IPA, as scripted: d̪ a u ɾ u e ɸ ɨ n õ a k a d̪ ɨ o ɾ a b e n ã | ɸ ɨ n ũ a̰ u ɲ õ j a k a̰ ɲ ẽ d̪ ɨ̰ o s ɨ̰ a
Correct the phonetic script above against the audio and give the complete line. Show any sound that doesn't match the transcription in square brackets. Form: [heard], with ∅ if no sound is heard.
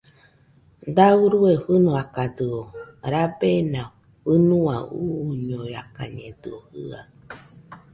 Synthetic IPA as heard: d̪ a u ɾ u e ɸ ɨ n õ a k a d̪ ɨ o ɾ a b e n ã | ɸ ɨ n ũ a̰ u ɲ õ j a k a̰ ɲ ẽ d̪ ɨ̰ o [h] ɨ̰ a